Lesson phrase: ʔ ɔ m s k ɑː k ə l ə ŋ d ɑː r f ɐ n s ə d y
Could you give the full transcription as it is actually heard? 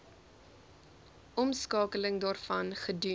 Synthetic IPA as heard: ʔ ɔ m s k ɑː k ə l ə ŋ d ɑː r f ɐ n χ ə d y